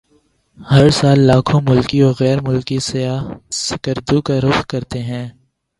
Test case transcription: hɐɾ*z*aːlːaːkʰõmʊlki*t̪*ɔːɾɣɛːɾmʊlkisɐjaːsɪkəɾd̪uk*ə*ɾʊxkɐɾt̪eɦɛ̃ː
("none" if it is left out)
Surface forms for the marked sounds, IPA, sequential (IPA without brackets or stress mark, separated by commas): s, none, a